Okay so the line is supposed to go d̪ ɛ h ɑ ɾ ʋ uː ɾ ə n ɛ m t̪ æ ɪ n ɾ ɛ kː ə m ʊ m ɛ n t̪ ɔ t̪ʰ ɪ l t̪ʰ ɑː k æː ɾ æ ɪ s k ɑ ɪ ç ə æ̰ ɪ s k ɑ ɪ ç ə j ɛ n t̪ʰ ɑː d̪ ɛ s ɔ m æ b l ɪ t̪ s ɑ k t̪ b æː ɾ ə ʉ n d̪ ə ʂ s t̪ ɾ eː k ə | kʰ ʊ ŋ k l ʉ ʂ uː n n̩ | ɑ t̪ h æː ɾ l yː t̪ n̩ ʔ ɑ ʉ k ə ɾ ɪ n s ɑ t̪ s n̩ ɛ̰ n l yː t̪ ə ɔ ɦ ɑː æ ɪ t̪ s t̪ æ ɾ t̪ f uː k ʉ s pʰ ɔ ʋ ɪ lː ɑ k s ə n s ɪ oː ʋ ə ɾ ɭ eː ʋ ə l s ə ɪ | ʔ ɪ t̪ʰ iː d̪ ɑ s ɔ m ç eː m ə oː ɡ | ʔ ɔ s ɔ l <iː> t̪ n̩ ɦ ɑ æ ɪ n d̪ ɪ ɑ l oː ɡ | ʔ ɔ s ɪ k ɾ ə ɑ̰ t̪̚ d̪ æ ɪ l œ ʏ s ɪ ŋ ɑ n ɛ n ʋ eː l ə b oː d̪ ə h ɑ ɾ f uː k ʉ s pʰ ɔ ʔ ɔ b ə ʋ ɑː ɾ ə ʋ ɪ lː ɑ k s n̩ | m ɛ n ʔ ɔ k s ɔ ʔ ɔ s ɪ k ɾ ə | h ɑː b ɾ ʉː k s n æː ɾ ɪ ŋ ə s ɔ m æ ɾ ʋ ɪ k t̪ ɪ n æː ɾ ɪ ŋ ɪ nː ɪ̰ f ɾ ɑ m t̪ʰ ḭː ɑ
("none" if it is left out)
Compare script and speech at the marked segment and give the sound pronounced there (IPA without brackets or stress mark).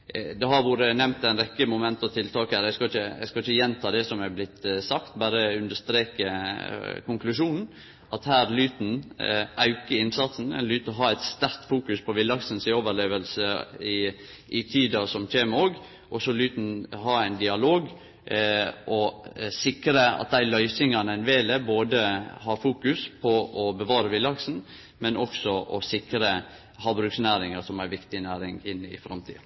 yː